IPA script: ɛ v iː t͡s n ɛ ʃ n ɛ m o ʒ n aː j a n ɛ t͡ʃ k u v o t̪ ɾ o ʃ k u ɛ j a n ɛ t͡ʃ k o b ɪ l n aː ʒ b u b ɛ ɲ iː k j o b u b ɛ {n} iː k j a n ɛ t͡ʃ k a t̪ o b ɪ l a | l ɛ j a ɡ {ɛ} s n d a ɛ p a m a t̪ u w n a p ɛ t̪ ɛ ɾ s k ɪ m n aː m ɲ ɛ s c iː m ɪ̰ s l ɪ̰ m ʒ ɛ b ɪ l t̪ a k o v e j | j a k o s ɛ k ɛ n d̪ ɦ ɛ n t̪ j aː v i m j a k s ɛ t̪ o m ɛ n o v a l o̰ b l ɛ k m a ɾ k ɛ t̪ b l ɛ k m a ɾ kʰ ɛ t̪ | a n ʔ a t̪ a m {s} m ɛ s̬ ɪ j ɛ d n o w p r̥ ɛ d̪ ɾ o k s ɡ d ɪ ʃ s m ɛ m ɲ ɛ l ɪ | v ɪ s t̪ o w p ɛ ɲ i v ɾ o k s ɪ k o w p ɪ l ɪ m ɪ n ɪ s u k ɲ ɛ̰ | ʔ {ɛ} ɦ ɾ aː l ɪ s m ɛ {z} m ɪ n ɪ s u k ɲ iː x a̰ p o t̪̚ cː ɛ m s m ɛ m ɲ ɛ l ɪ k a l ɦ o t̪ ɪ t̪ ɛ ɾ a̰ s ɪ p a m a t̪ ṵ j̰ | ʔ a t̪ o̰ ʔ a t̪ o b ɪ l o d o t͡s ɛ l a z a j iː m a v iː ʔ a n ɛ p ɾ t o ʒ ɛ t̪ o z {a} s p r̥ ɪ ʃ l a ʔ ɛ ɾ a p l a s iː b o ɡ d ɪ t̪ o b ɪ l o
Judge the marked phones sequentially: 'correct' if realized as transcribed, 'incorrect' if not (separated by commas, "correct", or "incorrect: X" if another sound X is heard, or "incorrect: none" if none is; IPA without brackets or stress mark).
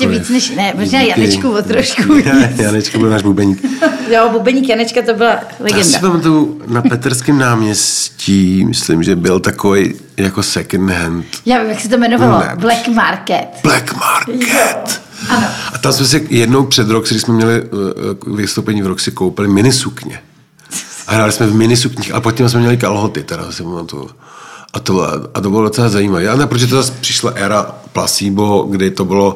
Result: incorrect: ɲ, correct, correct, incorrect: a, incorrect: v, correct